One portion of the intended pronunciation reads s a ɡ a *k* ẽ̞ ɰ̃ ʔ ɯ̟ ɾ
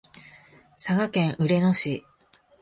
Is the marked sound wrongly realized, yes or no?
no